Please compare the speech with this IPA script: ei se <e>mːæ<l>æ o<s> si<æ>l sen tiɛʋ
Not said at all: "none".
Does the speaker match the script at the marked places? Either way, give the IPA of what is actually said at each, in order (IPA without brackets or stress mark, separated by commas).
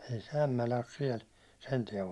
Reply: æ, l, s, ɛ